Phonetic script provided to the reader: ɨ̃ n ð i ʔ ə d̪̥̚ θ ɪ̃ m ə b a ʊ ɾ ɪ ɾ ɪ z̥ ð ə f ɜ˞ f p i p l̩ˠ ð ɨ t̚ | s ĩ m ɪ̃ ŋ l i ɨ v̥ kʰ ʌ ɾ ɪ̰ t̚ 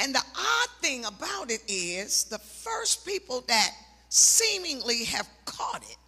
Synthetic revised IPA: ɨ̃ n ð i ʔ ɑ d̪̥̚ θ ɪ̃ ŋ ə b a ʊ ɾ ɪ ɾ ɪ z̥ ð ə f ɜ˞ s p i p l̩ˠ ð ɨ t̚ | s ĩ m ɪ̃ ŋ l i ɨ v̥ kʰ ɔ ɾ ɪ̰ t̚